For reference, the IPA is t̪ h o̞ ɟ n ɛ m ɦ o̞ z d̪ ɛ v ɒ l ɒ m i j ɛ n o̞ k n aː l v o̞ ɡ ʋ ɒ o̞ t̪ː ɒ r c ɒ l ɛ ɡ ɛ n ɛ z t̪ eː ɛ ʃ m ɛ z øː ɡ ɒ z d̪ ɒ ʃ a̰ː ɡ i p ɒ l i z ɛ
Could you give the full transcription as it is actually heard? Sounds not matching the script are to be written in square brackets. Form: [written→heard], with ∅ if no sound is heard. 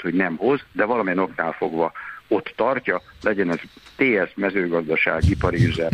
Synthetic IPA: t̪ h o̞ ɟ n ɛ m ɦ o̞ z d̪ ɛ v ɒ l ɒ m i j ɛ n o̞ k n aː l [v→f] o̞ ɡ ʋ ɒ o̞ t̪ː ɒ r c ɒ l ɛ [ɡ→ɟ] ɛ n ɛ z t̪ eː ɛ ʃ m ɛ z øː ɡ ɒ z d̪ ɒ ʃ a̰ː ɡ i p ɒ [l→ɾ] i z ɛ